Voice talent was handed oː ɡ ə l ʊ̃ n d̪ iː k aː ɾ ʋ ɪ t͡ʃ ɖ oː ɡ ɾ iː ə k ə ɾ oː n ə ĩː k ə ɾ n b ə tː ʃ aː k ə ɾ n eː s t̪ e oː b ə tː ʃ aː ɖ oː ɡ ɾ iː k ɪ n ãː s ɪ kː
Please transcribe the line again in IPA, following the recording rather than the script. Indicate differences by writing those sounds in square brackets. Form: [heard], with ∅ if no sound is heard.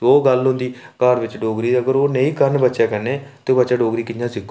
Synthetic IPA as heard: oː ɡ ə l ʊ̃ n d̪ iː k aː ɾ ʋ ɪ t͡ʃ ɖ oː ɡ ɾ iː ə [ɡ] ə ɾ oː n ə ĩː k ə ɾ n b ə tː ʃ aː k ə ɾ n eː [∅] t̪ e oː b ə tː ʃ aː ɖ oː ɡ ɾ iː k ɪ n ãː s ɪ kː